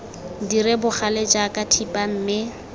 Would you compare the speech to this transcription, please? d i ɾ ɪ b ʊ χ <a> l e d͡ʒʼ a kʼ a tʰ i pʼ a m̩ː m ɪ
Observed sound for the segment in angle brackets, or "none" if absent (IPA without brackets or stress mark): a